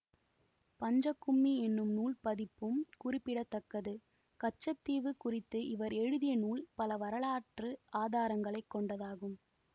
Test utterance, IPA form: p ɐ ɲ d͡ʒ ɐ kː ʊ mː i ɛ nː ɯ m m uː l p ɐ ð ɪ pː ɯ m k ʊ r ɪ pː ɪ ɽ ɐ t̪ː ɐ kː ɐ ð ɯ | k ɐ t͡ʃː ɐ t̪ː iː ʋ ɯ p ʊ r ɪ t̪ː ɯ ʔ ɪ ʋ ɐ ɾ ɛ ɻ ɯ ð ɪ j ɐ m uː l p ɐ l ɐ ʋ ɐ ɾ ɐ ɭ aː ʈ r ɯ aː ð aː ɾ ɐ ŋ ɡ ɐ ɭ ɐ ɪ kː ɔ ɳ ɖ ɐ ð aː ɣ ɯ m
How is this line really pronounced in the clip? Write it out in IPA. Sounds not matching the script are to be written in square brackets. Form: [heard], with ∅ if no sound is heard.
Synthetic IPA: p ɐ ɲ d͡ʒ ɐ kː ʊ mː i ɛ nː ɯ m [n] uː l p ɐ ð ɪ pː ɯ m k ʊ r ɪ pː ɪ ɽ ɐ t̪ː ɐ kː ɐ ð ɯ | k ɐ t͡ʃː ɐ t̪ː iː ʋ ɯ [k] ʊ r ɪ t̪ː ɯ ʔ ɪ ʋ ɐ ɾ ɛ ɻ ɯ ð ɪ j ɐ [n] uː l p ɐ l ɐ ʋ ɐ ɾ ɐ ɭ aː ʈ r ɯ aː ð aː ɾ ɐ ŋ ɡ ɐ ɭ ɐ ɪ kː ɔ ɳ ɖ ɐ ð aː ɣ ɯ m